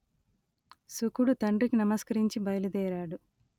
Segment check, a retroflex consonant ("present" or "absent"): present